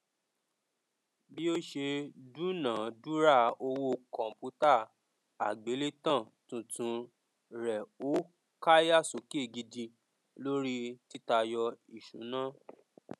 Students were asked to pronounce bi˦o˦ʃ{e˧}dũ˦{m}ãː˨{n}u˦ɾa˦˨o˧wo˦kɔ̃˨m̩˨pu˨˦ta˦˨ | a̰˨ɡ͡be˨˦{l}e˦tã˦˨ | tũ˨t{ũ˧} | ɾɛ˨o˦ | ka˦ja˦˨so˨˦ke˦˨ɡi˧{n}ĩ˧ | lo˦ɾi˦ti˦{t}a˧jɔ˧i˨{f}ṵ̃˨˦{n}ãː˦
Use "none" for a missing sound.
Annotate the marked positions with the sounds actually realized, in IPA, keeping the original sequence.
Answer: e˧, n, d, l, ũ˧, d, t, ʃ, n

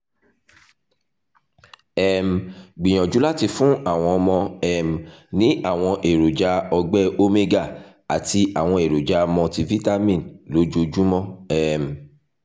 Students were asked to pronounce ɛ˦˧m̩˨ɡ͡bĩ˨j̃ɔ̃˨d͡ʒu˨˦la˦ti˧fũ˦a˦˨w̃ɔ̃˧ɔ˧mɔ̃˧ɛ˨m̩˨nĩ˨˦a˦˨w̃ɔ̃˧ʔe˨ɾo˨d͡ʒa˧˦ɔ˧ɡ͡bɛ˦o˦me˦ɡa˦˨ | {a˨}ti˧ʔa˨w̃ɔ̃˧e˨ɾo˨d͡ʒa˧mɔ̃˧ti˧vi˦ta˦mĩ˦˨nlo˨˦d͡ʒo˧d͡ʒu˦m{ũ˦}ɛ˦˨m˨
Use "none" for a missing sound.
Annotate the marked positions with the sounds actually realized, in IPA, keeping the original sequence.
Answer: a˨, ɔ̃˦

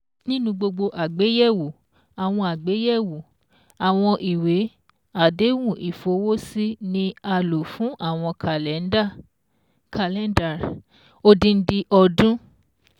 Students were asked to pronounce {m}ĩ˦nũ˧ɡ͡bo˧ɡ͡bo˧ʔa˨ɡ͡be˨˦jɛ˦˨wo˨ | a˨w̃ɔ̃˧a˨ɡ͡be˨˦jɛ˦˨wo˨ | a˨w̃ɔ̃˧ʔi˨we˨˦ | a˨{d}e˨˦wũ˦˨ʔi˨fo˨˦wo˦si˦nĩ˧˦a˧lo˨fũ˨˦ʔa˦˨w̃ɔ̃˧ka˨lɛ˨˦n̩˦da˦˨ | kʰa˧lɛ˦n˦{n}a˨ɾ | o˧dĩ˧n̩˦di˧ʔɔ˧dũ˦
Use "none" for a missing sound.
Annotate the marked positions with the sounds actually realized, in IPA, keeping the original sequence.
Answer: n, d, d

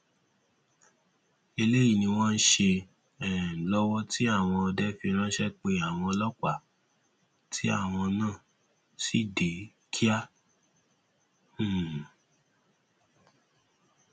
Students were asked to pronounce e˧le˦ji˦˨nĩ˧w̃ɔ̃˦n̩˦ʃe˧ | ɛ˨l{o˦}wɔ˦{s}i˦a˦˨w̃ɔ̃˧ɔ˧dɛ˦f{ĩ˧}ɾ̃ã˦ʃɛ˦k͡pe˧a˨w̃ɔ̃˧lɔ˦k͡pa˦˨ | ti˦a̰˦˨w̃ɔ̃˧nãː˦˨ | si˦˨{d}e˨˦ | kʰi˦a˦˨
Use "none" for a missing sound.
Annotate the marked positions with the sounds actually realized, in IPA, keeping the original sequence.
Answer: ɔ˦, t, i˧, d

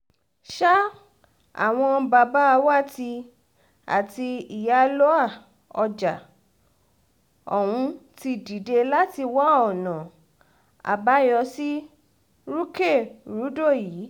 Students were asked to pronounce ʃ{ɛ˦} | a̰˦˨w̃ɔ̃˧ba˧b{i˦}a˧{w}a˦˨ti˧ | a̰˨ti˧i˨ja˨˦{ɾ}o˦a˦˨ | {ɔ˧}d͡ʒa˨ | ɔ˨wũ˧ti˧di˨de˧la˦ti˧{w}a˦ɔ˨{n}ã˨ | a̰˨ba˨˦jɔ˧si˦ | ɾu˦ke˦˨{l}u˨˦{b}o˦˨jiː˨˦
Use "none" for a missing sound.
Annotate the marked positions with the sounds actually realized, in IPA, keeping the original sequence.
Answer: a˦, a˦, w, l, ɔ˧, w, n, ɾ, d

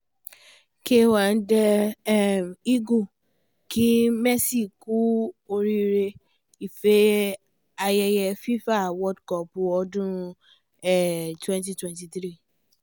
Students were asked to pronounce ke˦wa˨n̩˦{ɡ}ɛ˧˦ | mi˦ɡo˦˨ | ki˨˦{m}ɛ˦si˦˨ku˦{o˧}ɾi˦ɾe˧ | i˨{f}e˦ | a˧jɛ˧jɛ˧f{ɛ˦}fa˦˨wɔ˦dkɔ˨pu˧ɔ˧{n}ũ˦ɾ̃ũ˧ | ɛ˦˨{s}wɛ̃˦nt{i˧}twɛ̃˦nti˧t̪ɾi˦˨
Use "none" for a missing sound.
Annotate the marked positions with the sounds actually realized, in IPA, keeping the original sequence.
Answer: d, m, o˧, f, i˦, d, t, i˧

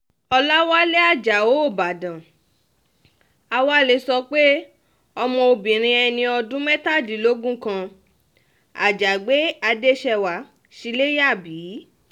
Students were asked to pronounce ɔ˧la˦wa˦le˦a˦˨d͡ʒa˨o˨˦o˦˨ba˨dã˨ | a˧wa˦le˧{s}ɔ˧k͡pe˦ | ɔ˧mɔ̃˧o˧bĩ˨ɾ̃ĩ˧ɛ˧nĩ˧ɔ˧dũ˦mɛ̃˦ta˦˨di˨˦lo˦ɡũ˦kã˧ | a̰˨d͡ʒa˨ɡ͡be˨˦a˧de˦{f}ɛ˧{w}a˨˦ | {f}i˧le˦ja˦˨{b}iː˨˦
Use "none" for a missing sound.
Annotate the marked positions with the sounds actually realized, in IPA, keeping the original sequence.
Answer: s, ʃ, w, ʃ, b

